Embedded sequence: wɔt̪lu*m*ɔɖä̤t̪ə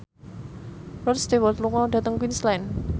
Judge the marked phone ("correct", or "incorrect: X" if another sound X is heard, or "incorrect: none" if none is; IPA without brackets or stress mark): incorrect: ŋ